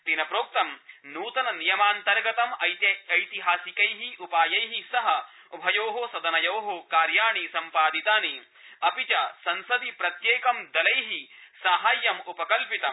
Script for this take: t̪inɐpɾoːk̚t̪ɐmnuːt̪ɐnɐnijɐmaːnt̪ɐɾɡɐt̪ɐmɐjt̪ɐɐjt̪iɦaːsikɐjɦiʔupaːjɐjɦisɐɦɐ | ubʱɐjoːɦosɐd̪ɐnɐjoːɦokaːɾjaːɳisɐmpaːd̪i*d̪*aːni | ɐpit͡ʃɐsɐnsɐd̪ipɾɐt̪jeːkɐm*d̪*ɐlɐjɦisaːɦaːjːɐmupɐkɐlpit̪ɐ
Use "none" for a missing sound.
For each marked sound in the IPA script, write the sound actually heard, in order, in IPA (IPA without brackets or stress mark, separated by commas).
t̪, d̪